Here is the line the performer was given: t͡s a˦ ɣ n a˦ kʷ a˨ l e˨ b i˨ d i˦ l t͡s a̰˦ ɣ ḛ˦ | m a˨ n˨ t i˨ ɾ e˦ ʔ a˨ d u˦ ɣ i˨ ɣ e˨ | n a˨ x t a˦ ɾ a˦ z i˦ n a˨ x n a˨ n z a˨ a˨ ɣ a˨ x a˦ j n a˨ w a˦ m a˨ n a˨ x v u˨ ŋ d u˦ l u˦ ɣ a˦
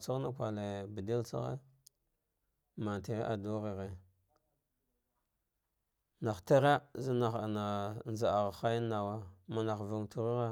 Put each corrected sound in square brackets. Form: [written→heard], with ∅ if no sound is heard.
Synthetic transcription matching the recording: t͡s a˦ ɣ n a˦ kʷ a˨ l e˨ b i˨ d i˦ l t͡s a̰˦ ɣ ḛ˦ | m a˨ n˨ t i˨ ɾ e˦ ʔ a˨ d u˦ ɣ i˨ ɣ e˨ | n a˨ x t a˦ ɾ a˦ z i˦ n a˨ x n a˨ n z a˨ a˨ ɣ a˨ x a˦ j n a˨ w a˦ m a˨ n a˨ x v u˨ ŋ [d→t] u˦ [l→ɾ] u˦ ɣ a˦